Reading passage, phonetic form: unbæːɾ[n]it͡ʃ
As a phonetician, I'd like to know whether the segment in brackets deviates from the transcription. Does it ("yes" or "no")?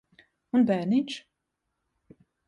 no